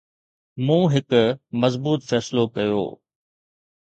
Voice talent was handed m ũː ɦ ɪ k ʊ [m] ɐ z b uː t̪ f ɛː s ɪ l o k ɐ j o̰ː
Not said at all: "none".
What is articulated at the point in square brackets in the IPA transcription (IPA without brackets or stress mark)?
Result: m